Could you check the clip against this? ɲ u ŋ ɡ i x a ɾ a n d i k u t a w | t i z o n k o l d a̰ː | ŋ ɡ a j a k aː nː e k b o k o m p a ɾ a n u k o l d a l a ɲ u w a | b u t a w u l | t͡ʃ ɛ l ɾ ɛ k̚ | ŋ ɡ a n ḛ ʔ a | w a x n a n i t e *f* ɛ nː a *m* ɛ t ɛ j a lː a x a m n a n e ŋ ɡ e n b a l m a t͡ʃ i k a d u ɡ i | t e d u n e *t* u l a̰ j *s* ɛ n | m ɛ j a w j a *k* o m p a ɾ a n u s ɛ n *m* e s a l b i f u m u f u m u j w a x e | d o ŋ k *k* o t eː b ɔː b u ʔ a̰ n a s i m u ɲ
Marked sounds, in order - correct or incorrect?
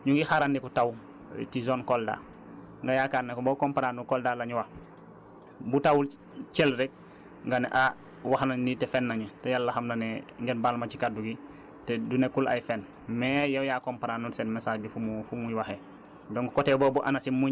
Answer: correct, incorrect, incorrect, incorrect, correct, correct, correct

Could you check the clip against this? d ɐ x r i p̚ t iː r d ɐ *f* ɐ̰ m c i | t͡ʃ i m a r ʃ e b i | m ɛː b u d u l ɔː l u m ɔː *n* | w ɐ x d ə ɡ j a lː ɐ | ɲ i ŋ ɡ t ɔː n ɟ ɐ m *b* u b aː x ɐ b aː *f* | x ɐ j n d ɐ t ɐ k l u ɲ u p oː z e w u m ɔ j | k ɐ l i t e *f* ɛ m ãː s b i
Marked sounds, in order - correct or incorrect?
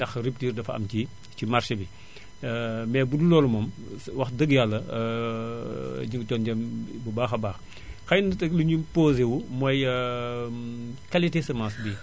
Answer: correct, incorrect, correct, incorrect, incorrect

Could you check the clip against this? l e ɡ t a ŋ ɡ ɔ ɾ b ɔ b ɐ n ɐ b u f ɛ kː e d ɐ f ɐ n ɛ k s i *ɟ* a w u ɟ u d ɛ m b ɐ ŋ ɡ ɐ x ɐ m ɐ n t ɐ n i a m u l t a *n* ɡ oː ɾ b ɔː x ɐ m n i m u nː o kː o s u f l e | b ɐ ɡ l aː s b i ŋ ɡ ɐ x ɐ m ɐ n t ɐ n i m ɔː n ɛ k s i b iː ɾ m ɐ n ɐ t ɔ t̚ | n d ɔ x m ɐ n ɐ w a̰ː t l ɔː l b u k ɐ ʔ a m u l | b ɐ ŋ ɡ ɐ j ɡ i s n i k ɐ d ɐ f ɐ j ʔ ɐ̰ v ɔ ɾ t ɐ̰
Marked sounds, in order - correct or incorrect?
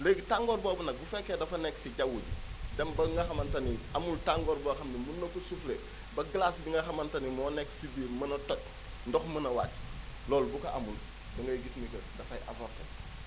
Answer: correct, incorrect

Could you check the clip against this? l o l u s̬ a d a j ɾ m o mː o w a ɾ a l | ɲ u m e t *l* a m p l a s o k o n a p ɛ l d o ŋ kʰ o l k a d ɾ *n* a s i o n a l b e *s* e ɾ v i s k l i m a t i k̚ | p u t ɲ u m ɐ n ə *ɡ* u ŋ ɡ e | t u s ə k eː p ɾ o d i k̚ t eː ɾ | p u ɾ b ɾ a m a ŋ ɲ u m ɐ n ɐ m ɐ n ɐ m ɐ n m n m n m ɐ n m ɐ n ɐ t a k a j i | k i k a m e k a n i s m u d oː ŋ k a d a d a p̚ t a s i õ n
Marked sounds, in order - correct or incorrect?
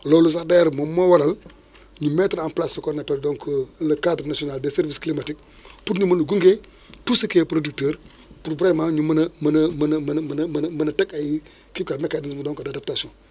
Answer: incorrect, correct, correct, correct

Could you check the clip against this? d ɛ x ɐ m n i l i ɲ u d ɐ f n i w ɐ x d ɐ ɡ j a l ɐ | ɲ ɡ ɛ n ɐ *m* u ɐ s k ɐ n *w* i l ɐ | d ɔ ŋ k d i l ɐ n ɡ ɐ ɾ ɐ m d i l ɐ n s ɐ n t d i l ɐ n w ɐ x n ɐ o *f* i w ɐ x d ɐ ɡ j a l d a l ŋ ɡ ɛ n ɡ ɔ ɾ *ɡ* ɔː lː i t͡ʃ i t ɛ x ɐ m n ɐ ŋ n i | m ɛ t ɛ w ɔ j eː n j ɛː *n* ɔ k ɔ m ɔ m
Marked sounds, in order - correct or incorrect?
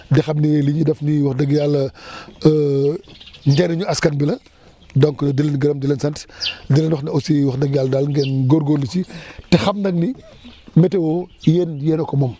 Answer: incorrect, incorrect, incorrect, correct, correct

